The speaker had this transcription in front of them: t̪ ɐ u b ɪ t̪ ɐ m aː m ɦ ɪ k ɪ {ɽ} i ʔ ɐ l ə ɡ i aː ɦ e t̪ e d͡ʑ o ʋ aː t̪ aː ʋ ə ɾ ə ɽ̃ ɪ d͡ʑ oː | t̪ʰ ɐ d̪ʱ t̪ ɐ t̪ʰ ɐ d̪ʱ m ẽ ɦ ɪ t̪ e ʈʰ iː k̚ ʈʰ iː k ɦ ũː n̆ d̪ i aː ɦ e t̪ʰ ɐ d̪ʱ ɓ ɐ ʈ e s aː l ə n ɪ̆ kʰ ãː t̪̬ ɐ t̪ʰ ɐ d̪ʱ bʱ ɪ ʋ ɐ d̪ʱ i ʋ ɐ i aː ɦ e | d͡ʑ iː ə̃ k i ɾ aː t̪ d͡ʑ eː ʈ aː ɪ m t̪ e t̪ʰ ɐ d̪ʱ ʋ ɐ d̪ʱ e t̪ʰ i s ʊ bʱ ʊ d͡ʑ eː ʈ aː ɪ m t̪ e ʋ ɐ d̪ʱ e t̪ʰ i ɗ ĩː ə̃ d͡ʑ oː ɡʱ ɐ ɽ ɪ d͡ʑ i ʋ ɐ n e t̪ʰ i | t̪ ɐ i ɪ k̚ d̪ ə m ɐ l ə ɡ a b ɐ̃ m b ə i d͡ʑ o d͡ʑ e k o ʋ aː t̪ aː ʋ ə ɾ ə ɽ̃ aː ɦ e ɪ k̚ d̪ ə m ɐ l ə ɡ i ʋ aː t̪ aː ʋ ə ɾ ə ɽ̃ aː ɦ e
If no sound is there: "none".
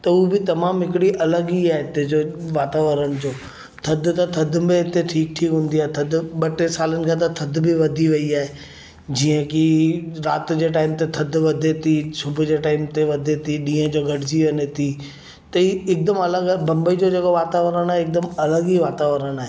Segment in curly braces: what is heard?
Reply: ɽ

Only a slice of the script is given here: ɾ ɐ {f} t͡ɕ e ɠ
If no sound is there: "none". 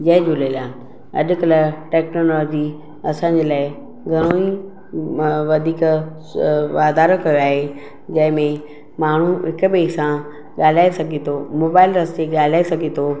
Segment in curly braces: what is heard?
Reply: s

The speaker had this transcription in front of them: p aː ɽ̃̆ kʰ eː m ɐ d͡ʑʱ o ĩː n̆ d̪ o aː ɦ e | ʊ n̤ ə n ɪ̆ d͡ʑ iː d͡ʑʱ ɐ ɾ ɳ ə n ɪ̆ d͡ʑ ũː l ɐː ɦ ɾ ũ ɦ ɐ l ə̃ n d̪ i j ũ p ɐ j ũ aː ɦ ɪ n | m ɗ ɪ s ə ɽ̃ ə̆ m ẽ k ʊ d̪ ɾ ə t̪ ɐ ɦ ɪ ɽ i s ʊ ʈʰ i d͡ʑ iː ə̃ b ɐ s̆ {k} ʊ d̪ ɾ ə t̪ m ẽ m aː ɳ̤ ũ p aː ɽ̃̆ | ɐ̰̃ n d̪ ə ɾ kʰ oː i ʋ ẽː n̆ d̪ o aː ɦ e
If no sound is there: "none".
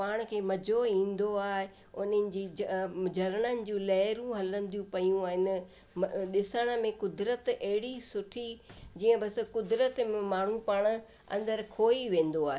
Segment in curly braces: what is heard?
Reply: k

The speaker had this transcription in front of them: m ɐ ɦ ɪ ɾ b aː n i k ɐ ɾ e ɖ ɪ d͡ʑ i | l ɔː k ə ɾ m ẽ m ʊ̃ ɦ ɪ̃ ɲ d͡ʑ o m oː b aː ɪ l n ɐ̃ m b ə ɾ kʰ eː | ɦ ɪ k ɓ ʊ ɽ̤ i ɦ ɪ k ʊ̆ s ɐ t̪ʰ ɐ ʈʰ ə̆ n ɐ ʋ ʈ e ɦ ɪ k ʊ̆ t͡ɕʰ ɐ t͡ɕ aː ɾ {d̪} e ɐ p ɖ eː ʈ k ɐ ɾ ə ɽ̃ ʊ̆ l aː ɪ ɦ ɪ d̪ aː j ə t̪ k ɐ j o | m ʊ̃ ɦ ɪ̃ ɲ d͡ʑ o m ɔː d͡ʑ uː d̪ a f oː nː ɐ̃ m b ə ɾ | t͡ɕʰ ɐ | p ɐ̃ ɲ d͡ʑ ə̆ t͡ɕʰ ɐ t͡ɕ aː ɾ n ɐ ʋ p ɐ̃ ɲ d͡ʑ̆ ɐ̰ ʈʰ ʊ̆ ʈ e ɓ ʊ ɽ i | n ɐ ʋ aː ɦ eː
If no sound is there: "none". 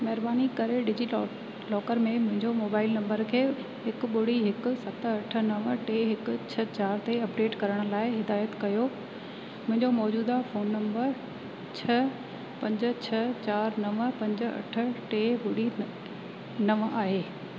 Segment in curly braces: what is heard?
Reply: t̪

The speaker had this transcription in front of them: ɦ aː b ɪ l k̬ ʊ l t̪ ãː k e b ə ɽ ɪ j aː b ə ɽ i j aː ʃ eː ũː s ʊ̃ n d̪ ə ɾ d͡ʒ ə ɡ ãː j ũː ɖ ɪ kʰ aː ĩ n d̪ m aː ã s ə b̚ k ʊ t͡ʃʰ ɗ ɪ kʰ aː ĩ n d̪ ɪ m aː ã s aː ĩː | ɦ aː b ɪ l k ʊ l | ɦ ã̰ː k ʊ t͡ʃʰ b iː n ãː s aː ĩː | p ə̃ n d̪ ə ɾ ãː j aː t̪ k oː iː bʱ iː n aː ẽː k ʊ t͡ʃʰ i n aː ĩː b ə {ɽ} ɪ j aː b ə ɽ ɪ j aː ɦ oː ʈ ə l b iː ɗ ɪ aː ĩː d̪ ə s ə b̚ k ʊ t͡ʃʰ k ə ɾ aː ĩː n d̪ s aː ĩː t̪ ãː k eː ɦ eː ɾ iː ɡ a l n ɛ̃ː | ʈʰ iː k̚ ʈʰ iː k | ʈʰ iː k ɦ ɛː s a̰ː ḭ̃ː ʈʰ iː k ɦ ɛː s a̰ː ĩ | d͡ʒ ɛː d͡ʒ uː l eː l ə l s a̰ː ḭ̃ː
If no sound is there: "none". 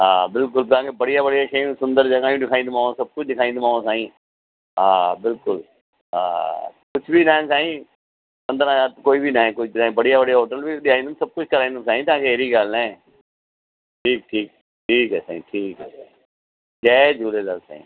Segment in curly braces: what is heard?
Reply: ɽ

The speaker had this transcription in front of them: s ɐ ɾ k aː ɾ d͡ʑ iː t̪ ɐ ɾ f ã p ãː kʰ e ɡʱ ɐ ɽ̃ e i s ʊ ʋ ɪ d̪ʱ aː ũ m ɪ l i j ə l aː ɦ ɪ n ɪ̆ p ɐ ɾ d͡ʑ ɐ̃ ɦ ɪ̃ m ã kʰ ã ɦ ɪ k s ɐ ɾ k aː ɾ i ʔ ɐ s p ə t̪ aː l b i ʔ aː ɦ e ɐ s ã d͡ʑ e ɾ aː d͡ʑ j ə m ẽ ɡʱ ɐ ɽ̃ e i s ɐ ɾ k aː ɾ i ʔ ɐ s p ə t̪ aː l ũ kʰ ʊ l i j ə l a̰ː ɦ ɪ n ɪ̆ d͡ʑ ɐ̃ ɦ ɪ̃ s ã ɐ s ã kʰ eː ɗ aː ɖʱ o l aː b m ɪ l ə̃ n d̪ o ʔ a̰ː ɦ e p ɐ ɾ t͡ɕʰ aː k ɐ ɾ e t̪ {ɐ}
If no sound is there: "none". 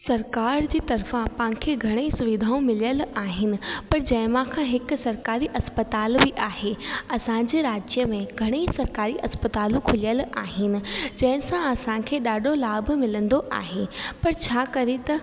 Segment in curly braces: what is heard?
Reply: ɐ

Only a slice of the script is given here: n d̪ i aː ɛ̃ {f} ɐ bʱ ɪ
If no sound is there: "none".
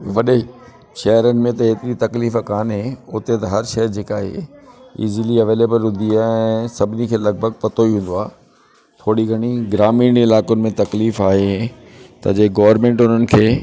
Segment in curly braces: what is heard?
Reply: s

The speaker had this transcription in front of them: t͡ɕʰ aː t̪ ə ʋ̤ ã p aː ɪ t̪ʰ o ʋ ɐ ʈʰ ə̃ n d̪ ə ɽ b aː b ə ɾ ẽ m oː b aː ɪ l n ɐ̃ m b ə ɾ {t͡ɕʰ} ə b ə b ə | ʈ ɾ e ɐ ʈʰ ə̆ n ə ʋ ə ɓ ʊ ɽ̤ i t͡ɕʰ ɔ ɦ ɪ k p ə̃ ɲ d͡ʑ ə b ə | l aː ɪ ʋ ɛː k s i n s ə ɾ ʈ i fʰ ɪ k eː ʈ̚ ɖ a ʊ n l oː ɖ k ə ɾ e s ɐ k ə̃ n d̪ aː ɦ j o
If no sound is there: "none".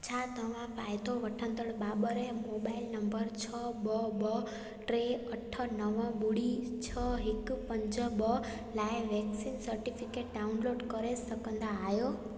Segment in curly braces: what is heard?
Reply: t͡ɕʰ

